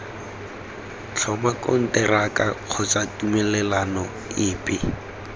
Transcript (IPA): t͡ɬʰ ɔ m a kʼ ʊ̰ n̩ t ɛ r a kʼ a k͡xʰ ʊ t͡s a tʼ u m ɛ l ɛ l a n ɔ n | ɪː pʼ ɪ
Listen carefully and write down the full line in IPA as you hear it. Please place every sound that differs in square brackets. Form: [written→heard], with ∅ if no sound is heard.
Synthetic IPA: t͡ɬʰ ɔ m a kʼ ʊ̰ n̩ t ɛ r a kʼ a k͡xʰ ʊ t͡s a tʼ u m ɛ l ɛ l a n ɔ [n→∅] | ɪː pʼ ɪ